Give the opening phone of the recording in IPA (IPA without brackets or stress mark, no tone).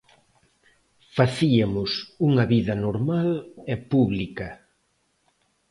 f